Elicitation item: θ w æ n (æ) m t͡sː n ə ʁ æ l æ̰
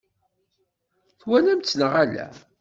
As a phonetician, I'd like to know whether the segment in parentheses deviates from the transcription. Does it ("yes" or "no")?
no